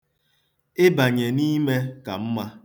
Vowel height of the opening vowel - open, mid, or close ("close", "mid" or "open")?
close